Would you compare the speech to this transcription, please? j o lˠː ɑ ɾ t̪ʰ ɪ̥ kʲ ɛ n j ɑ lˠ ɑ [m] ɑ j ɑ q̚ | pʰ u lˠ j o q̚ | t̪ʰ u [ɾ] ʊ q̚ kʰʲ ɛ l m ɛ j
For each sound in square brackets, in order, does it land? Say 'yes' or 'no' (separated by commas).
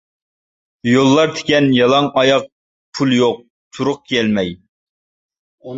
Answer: no, yes